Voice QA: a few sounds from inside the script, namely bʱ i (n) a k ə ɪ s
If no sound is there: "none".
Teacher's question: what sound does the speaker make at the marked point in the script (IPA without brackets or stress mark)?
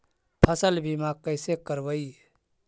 m